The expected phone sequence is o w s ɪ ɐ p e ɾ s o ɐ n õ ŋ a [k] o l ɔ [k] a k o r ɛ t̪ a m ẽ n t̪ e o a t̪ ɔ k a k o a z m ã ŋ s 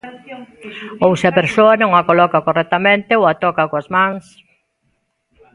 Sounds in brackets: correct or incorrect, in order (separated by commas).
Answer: correct, correct